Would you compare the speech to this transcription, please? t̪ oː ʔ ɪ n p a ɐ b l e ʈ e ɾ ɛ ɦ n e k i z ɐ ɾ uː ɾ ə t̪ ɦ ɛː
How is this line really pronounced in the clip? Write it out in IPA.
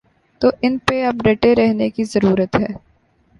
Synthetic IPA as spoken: t̪ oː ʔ ɪ n p e ɐ b ɾ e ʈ e ɾ ɛ ɦ n e k i z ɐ ɾ uː ɾ ə t̪ ɦ ɛː